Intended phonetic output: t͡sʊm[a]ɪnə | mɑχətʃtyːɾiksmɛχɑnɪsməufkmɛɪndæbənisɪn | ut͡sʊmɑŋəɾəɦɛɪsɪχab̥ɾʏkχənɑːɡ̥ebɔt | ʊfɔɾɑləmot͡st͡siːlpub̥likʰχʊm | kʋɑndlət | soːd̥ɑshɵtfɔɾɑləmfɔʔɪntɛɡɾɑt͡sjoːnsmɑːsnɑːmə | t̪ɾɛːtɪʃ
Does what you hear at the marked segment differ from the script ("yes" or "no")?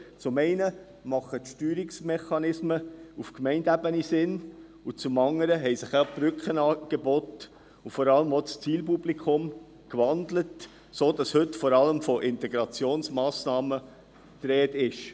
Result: yes